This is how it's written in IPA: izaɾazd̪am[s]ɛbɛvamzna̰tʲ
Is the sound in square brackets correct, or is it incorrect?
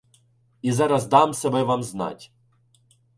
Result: correct